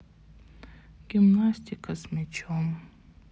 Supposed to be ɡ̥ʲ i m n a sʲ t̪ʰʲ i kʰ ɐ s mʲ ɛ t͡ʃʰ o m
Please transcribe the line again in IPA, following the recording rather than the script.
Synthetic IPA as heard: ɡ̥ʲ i m n a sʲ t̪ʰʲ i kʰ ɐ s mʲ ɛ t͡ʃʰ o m